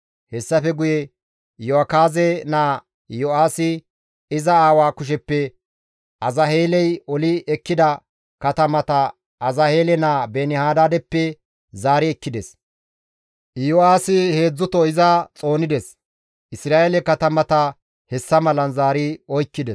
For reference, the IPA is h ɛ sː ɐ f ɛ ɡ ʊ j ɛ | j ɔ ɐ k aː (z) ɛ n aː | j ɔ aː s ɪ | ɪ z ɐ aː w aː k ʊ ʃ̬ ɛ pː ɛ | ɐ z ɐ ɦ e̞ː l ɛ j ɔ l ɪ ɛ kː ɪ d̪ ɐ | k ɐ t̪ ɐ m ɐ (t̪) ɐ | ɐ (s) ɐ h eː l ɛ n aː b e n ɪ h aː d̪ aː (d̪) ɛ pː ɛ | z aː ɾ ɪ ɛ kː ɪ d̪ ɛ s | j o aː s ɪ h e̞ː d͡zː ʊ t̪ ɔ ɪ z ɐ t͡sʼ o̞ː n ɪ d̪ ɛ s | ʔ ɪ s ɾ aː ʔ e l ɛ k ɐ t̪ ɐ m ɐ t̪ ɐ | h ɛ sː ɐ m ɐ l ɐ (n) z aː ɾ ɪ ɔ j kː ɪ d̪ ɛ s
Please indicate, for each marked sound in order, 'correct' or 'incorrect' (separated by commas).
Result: correct, correct, incorrect, correct, correct